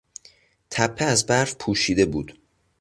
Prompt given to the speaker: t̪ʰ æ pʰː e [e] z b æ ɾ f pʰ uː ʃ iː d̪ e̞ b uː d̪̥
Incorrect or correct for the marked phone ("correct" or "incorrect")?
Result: incorrect